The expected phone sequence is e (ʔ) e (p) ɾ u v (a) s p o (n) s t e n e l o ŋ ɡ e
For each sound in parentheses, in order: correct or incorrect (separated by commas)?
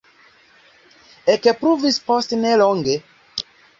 incorrect, correct, incorrect, incorrect